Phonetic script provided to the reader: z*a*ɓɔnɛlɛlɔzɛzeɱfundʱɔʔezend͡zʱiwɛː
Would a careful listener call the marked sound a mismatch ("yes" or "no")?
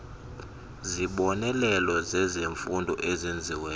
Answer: yes